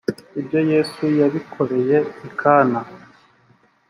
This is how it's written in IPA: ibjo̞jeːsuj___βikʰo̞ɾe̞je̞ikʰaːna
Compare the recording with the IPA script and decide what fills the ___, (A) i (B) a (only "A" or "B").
B